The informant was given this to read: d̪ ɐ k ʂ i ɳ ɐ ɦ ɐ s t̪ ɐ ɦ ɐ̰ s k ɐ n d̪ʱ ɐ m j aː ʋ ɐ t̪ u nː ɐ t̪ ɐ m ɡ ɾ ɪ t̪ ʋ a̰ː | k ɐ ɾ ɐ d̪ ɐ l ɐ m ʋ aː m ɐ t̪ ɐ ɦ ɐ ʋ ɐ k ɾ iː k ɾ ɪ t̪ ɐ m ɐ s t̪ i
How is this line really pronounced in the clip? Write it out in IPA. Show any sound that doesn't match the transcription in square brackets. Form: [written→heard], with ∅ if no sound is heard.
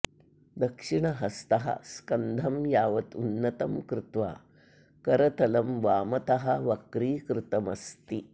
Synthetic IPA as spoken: d̪ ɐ k ʂ i ɳ ɐ ɦ ɐ s t̪ ɐ ɦ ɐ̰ s k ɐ n d̪ʱ ɐ m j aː ʋ ɐ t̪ u nː ɐ t̪ ɐ m [ɡ→k] ɾ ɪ t̪ ʋ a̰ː | k ɐ ɾ ɐ [d̪→t̪] ɐ l ɐ m ʋ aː m ɐ t̪ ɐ ɦ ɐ ʋ ɐ k ɾ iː k ɾ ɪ t̪ ɐ m ɐ s t̪ i

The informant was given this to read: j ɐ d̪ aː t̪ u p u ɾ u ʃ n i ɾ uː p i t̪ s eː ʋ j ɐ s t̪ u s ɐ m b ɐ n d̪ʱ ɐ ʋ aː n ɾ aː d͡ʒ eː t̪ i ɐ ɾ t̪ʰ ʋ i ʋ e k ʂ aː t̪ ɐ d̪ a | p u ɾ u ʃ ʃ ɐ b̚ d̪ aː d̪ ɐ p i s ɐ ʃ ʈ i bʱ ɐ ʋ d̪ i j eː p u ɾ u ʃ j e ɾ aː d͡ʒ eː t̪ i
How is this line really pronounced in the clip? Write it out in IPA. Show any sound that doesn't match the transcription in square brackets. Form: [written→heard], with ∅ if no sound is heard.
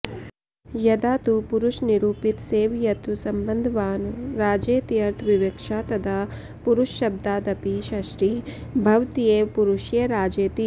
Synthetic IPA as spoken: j ɐ d̪ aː t̪ u p u ɾ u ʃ n i ɾ uː p i t̪ s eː ʋ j ɐ [s→∅] t̪ u s ɐ m b ɐ n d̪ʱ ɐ ʋ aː n ɾ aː d͡ʒ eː t̪ i ɐ ɾ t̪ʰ ʋ i ʋ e k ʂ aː t̪ ɐ d̪ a | p u ɾ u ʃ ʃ ɐ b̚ d̪ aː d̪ ɐ p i [s→ʃ] ɐ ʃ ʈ i bʱ ɐ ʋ [d̪→t̪] i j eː p u ɾ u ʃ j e ɾ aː d͡ʒ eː t̪ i

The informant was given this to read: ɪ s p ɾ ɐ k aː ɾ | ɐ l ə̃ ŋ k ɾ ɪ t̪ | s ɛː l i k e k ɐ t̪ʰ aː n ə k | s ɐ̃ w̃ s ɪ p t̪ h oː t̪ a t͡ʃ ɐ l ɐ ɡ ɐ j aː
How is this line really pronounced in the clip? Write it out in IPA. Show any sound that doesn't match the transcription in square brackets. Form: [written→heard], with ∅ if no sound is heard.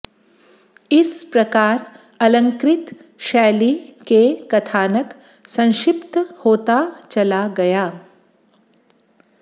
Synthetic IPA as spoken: ɪ s p ɾ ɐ k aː ɾ | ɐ l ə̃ ŋ k ɾ ɪ t̪ | [s→ʃ] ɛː l i k e k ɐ t̪ʰ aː n ə k | s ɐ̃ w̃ [s→ʃ] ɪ p t̪ h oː t̪ a t͡ʃ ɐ l [ɐ→a] ɡ ɐ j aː

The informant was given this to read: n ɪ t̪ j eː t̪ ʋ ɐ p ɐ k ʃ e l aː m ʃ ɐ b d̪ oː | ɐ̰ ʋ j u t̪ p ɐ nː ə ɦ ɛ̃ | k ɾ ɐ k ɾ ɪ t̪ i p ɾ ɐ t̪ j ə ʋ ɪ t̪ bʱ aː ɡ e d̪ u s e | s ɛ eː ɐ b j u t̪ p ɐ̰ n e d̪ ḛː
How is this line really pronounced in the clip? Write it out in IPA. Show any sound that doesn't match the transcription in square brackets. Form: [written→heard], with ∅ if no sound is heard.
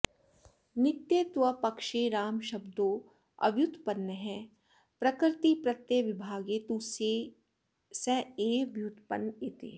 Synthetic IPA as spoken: n ɪ t̪ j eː t̪ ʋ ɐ p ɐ k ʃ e [l→ɾ] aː m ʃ ɐ b d̪ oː | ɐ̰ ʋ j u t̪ p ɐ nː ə ɦ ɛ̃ | [k→p] ɾ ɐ k ɾ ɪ t̪ i p ɾ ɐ t̪ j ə ʋ ɪ [t̪→∅] bʱ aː ɡ e [d̪→t̪] u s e | s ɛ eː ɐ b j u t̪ p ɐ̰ n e [d̪→t̪] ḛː

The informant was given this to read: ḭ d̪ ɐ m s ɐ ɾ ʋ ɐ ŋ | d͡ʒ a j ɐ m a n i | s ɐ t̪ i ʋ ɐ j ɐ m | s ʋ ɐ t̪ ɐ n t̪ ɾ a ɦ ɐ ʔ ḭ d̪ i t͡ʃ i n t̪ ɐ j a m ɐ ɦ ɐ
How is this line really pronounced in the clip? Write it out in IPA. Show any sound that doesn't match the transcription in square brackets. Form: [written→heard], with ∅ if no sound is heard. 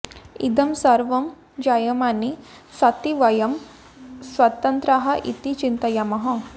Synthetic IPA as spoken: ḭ d̪ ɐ m s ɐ ɾ ʋ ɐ [ŋ→m] | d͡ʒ a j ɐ m a n i | s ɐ t̪ i ʋ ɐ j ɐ m | s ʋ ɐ t̪ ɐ n t̪ ɾ a ɦ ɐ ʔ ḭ [d̪→t̪] i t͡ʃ i n t̪ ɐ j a m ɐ ɦ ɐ

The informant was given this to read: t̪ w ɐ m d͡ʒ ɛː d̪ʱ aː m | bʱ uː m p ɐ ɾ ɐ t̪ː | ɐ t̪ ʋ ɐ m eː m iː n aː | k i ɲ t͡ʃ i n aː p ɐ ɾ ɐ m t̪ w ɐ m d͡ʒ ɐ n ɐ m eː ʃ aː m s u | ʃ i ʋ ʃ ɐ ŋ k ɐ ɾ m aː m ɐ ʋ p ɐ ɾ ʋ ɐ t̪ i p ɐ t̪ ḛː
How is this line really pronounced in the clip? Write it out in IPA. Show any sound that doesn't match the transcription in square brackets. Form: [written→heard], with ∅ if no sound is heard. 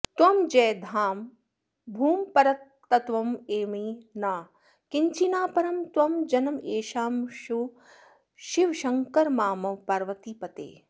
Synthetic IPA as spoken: t̪ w ɐ m d͡ʒ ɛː d̪ʱ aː m | bʱ uː m p ɐ ɾ ɐ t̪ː | ɐ t̪ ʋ ɐ m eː m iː n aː | k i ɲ t͡ʃ i n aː p ɐ ɾ ɐ m t̪ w ɐ m d͡ʒ ɐ n ɐ m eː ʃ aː m [s→ʃ] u | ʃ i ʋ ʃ ɐ ŋ k ɐ ɾ m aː m ɐ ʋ p ɐ ɾ ʋ ɐ t̪ i p ɐ t̪ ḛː

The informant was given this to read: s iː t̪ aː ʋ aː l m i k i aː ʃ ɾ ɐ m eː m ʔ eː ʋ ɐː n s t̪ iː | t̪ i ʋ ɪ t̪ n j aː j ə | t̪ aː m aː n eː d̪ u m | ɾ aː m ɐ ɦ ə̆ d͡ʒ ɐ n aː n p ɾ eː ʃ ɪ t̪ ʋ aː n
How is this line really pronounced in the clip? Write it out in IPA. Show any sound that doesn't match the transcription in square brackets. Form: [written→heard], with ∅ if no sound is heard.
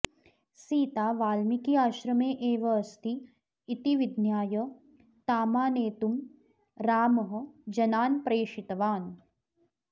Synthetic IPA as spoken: s iː t̪ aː ʋ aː l m i k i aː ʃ ɾ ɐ m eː [m→∅] ʔ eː ʋ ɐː [n→∅] s t̪ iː | t̪ i ʋ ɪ [t̪→d̪] n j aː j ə | t̪ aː m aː n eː [d̪→t̪] u m | ɾ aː m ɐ ɦ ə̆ d͡ʒ ɐ n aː n p ɾ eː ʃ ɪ t̪ ʋ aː n

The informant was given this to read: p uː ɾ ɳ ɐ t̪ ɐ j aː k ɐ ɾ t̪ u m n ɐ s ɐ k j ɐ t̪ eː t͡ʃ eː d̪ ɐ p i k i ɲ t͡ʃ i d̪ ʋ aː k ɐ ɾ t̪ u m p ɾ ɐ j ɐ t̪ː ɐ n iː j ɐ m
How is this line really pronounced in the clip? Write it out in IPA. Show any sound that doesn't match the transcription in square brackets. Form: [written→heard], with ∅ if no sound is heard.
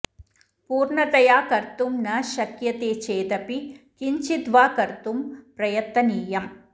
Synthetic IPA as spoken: p uː ɾ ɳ ɐ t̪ ɐ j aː k ɐ ɾ t̪ u m n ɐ [s→ʃ] ɐ k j ɐ t̪ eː t͡ʃ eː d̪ ɐ p i k i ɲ t͡ʃ i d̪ ʋ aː k ɐ ɾ t̪ u m p ɾ ɐ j ɐ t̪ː ɐ n iː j ɐ m

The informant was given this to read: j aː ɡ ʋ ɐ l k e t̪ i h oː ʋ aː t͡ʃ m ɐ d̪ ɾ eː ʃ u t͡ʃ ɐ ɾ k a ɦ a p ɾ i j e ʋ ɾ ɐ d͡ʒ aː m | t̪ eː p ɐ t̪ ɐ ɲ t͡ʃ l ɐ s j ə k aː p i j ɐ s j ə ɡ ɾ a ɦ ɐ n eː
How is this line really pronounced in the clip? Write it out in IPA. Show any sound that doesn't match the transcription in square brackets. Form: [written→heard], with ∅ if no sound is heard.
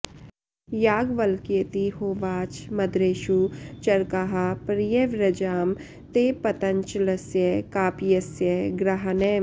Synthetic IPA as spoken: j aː ɡ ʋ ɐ l k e t̪ i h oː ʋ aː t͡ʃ m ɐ d̪ ɾ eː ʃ u t͡ʃ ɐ ɾ k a ɦ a p ɾ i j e ʋ ɾ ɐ d͡ʒ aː m | t̪ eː p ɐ t̪ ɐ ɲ t͡ʃ l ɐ s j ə k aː p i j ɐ s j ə ɡ ɾ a ɦ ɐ n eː

